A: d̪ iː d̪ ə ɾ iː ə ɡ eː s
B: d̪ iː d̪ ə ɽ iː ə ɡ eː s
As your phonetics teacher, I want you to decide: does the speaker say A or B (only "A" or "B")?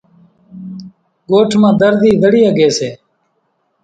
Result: B